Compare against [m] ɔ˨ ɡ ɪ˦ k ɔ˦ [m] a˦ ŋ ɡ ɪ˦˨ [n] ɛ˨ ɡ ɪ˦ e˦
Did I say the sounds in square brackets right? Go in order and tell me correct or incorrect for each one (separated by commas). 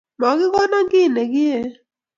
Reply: correct, incorrect, correct